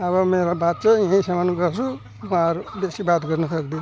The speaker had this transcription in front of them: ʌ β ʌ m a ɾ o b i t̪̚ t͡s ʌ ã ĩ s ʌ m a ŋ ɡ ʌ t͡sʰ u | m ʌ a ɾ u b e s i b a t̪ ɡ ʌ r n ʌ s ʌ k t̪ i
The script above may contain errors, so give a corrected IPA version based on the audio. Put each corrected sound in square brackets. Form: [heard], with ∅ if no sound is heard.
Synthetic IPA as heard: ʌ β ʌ m [e] ɾ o b [a] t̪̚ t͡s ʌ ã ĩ s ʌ m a [n] ɡ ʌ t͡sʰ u | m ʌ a ɾ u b e s i b a t̪ ɡ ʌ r n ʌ s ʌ k [d̪] i